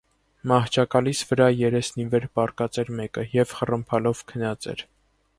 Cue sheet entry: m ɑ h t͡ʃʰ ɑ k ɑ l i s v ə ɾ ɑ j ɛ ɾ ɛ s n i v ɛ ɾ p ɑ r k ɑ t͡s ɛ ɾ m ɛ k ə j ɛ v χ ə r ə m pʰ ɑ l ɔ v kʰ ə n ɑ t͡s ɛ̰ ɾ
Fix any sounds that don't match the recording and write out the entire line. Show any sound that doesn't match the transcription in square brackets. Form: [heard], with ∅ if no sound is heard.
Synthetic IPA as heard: m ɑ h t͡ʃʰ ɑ k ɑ l i s v ə ɾ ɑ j ɛ ɾ ɛ s n i v ɛ ɾ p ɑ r k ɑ t͡s ɛ ɾ m ɛ k ə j ɛ v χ ə r ə m pʰ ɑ l ɔ v kʰ ə n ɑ t͡s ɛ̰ ɾ